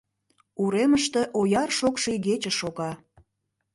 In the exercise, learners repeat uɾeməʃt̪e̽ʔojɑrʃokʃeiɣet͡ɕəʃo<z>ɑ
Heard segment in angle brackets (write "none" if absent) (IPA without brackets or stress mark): ɣ